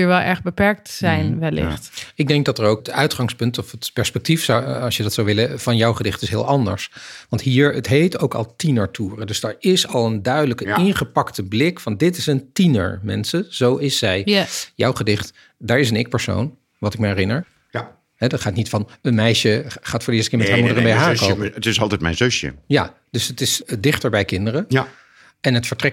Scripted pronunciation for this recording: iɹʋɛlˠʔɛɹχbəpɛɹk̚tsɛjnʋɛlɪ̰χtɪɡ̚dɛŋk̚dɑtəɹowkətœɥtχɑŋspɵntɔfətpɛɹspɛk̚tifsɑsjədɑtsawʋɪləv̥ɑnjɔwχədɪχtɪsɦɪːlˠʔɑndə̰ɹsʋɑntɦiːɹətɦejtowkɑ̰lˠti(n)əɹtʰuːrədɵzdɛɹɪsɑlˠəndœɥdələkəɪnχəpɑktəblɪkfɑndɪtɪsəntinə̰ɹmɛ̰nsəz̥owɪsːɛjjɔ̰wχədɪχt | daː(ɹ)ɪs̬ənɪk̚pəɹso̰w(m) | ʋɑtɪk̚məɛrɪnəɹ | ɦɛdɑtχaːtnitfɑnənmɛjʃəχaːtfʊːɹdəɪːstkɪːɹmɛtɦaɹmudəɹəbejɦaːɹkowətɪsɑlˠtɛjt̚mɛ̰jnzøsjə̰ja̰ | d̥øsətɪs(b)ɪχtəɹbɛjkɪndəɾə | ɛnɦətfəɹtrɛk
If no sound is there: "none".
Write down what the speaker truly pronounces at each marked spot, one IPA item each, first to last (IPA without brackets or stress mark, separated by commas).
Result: n, ɹ, n, d